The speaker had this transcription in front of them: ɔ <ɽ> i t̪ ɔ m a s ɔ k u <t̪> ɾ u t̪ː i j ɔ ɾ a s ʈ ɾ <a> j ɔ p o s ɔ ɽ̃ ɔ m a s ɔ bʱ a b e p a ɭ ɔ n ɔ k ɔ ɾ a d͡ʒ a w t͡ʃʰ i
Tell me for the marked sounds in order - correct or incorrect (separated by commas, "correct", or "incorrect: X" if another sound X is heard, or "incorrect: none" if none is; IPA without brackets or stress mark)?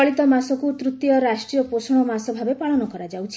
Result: incorrect: ɭ, correct, incorrect: i